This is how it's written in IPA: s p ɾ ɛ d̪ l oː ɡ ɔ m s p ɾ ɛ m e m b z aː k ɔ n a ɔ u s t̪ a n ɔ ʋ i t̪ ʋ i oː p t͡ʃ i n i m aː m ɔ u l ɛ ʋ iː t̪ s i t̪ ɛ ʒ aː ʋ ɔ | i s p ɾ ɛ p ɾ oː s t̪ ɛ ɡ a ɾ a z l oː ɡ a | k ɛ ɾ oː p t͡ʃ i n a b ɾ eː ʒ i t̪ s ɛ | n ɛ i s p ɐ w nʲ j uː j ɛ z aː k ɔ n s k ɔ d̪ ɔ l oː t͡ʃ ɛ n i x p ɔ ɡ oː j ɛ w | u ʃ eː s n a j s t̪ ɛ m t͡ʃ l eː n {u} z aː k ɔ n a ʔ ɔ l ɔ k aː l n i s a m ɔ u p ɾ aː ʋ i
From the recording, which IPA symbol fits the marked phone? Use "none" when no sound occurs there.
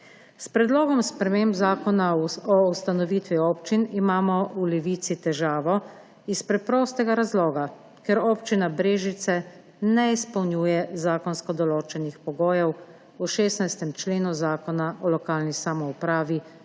u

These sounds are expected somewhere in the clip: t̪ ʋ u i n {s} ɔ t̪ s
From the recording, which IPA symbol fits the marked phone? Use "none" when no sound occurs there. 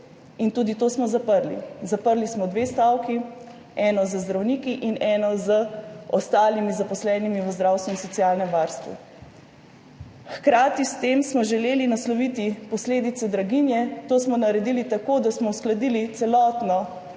s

